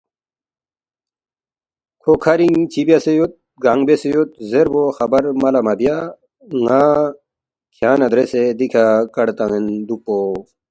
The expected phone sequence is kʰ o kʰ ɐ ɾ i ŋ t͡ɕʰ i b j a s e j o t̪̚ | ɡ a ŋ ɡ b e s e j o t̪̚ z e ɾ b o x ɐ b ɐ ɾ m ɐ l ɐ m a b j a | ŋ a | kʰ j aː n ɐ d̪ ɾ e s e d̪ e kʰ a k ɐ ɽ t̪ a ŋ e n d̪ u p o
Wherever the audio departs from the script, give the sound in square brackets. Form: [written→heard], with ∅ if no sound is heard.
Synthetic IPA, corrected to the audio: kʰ o kʰ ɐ ɾ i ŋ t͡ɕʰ i b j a s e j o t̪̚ | ɡ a ŋ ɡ b e s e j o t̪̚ z e ɾ b o x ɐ b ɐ ɾ m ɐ l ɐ m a b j a | ŋ a | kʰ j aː n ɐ d̪ ɾ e s e d̪ [e→i] kʰ a k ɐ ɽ t̪ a ŋ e n d̪ u p o